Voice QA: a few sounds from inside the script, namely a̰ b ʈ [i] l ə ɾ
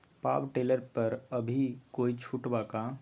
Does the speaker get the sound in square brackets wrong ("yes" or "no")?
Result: yes